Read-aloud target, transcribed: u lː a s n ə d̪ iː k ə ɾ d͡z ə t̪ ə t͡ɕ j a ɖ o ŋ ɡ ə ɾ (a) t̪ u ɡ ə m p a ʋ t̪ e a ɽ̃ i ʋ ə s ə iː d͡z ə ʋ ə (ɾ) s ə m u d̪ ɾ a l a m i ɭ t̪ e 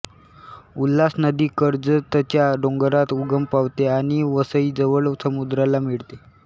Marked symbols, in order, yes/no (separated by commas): yes, no